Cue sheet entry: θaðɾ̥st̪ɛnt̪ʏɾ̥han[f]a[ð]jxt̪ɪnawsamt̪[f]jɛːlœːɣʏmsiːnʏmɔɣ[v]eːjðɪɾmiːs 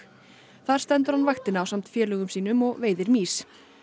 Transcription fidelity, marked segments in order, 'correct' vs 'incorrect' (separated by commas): incorrect, incorrect, correct, correct